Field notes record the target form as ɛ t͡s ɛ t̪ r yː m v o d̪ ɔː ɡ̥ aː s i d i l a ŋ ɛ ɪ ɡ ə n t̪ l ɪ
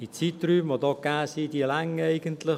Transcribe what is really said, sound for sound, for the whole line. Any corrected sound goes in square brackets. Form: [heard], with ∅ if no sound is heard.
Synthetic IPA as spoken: [i] t͡s [i] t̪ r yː m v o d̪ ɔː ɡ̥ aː s i d i l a ŋ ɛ ɪ ɡ ə n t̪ l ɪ